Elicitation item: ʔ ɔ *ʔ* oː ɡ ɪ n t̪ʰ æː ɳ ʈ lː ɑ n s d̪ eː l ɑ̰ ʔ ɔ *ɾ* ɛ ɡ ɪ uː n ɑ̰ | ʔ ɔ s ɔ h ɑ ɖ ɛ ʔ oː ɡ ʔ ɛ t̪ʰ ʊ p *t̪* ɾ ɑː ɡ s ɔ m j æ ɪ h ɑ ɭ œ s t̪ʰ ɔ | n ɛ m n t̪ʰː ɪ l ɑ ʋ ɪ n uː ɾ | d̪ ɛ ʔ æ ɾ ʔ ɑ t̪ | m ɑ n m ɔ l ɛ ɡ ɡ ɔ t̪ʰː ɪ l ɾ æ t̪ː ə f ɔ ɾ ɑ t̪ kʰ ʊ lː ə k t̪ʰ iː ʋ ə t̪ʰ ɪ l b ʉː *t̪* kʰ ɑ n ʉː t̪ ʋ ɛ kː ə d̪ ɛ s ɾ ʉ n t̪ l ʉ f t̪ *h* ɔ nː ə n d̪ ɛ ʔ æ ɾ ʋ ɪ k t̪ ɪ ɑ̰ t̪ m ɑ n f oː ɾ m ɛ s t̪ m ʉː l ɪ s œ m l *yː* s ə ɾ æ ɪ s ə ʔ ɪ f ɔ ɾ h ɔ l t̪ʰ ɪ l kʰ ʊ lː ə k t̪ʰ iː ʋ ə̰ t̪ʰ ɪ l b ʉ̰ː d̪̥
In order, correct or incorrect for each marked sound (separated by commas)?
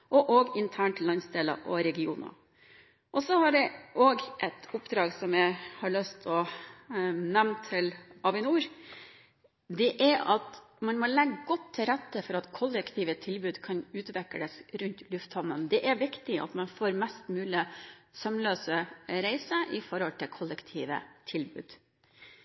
correct, correct, incorrect, incorrect, correct, incorrect